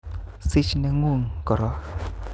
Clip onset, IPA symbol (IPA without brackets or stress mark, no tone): s